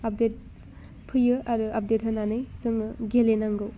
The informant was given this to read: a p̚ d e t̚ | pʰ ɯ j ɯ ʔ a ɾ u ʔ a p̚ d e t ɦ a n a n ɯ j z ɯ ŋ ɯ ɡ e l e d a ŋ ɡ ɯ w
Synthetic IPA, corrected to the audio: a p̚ d e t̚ | pʰ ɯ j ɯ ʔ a ɾ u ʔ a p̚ d e t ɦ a n a n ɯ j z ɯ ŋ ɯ ɡ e l e n a ŋ ɡ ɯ w